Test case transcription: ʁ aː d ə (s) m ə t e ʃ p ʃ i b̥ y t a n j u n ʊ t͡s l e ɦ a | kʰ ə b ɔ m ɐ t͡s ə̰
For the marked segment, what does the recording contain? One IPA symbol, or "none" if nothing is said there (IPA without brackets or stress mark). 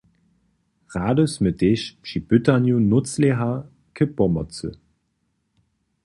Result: s